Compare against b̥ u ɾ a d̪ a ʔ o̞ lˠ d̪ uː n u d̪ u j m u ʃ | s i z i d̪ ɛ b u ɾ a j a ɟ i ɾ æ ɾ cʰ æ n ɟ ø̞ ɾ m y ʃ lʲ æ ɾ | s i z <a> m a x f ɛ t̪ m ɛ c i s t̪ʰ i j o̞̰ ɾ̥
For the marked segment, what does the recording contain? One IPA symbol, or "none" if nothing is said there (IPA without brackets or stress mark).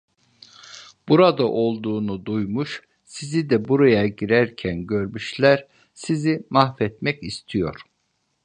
i